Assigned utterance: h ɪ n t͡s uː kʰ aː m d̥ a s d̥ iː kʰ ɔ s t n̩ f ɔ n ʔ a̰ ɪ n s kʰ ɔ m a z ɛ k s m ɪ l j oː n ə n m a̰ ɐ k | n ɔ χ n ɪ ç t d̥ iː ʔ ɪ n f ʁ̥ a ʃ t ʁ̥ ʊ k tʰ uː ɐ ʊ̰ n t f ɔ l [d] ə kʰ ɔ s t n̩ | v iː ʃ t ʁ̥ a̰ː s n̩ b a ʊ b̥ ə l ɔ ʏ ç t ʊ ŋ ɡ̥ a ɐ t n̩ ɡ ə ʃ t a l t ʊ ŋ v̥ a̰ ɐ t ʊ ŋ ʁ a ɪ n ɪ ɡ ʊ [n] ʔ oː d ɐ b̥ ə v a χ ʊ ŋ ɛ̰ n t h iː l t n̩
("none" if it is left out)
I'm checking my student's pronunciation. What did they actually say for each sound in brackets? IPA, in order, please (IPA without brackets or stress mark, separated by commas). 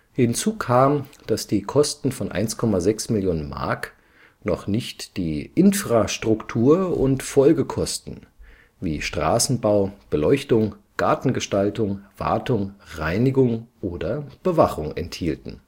ɡ, ŋ